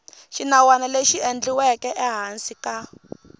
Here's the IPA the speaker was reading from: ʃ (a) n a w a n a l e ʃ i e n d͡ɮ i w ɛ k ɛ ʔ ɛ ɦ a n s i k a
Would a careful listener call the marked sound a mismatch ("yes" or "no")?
yes